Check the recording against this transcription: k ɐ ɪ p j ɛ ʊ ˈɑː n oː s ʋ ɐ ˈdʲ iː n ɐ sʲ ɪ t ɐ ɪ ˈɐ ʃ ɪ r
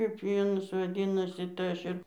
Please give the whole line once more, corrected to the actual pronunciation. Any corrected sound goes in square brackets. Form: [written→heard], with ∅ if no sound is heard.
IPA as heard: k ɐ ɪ p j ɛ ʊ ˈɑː n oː s ʋ ɐ ˈdʲ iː n ɐ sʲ ɪ t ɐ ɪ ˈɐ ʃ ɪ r